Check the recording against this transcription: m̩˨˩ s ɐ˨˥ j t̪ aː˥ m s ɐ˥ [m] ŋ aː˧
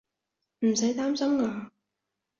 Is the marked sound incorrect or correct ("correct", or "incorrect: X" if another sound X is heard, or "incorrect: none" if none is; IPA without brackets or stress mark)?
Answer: correct